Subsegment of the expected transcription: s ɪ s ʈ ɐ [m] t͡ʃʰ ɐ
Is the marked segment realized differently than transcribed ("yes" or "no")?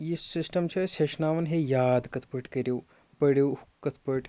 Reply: no